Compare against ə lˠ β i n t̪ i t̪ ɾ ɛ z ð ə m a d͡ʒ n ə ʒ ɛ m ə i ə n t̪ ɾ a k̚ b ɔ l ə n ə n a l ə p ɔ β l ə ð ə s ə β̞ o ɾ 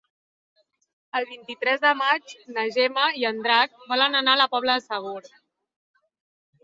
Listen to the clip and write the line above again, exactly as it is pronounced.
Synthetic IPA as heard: ə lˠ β i n t̪ i t̪ ɾ ɛ z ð ə m a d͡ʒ n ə ʒ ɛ m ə i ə n d̪ ɾ a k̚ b ɔ l ə n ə n a l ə p ɔ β l ə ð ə s ə β̞ o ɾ

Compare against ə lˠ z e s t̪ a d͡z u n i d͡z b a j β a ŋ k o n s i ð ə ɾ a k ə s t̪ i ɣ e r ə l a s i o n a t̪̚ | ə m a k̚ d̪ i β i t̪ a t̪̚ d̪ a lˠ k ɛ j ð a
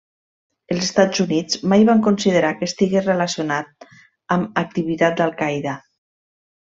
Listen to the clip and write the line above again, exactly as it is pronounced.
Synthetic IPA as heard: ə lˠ z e s t̪ a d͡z u n i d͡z m a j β a ŋ k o n s i ð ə ɾ a k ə s t̪ i ɣ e r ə l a s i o n a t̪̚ | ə m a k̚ t̪ i β i t̪ a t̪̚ d̪ a lˠ k a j ð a

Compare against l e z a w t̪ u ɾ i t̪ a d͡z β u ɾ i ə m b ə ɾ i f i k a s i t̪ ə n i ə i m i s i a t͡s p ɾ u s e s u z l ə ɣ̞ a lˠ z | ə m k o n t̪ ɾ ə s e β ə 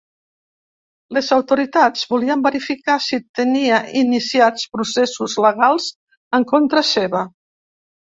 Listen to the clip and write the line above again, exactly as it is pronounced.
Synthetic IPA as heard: l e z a w t̪ u ɾ i t̪ a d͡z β u l i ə m b ə ɾ i f i k a s i t̪ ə n i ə i n i s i a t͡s p ɾ u s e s u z l ə ɣ̞ a lˠ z | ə ŋ k o n t̪ ɾ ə s e β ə

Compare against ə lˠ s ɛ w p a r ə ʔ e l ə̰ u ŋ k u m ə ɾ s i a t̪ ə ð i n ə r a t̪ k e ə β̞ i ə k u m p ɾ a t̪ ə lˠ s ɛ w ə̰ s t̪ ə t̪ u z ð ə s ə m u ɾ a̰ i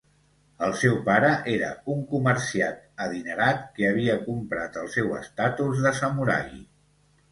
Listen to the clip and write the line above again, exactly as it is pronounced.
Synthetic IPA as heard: ə lˠ s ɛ w p a ɾ ə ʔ e ɾ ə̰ u ŋ k u m ə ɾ s i a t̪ ə ð i n ə ɾ a t̪ k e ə β̞ i ə k u m p ɾ a t̪ ə lˠ s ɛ w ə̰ s t̪ a t̪ u z ð ə s ə m u ɾ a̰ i

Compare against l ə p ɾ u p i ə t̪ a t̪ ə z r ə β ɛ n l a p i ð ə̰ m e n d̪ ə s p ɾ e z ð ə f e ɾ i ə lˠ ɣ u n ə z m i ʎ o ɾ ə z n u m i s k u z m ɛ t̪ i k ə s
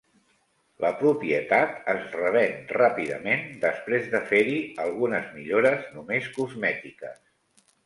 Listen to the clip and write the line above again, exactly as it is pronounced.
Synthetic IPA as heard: l ə p ɾ u p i ə t̪ a t̪ ə z r ə β ɛ n r a p i ð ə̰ m e n d̪ ə s p ɾ e z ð ə f e ɾ i ə lˠ ɣ u n ə z m i ʎ o ɾ ə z n u m e s k u z m ɛ t̪ i k ə s

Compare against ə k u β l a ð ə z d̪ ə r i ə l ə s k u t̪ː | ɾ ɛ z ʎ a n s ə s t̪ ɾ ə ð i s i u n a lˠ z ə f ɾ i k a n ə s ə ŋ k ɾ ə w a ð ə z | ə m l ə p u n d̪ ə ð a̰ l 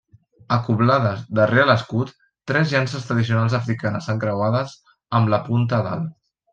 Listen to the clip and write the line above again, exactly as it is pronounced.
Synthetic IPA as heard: ə k u β l a ð ə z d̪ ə r e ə l ə s k u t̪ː | ɾ ɛ z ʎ a n s ə s t̪ ɾ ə ð i s i u n a lˠ z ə f ɾ i k a n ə s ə ŋ k ɾ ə w a ð ə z | ə m l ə p u n t̪ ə ð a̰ l

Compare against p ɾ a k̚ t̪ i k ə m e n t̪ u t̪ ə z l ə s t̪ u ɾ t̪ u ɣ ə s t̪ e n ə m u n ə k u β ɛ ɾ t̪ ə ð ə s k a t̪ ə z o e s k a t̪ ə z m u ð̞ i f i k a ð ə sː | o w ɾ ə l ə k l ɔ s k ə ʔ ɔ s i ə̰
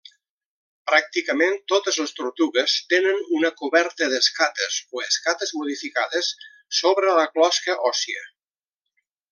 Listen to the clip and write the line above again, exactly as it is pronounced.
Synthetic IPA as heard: p ɾ a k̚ t̪ i k ə m e n t̪ o t̪ ə z l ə s t̪ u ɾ t̪ u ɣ ə s t̪ e n ə n u n ə k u β ɛ ɾ t̪ ə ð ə s k a t̪ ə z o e s k a t̪ ə z m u ð̞ i f i k a ð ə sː | o β ɾ ə l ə k l ɔ s k ə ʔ ɔ s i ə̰

